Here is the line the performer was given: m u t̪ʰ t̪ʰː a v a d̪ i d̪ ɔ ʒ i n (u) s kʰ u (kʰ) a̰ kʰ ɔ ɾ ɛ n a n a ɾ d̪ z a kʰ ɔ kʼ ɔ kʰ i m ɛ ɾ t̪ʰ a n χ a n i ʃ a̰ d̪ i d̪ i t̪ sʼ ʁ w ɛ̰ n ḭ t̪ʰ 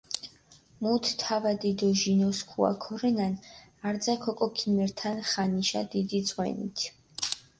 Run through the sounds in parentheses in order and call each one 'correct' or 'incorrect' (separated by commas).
incorrect, incorrect